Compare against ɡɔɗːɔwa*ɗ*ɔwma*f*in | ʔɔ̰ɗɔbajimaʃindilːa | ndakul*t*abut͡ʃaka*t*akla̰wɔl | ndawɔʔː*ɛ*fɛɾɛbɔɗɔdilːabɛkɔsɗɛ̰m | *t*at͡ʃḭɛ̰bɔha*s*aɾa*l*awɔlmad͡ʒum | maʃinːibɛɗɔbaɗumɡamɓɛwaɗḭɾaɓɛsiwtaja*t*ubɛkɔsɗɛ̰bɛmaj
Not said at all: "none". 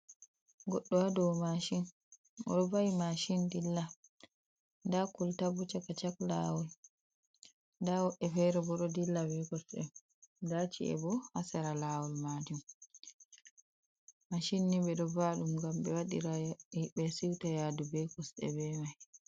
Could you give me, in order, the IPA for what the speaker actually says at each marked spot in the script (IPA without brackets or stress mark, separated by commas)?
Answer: d, ʃ, t, t͡ʃ, ɛ, d, s, l, d